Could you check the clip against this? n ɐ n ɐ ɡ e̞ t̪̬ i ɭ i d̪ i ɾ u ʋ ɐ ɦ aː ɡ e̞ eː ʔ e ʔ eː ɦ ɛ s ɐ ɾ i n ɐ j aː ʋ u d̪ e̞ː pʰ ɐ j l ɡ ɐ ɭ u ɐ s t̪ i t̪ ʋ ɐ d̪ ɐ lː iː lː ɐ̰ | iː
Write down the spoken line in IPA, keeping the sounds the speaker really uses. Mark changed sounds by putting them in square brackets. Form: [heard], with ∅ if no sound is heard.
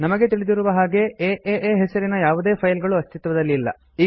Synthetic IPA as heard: n ɐ [m] ɐ ɡ e̞ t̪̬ i ɭ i d̪ i ɾ u ʋ ɐ ɦ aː ɡ e̞ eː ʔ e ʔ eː ɦ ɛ s ɐ ɾ i n ɐ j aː ʋ u d̪ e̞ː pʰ ɐ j l ɡ ɐ ɭ u ɐ s t̪ i t̪ ʋ ɐ d̪ ɐ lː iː lː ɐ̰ | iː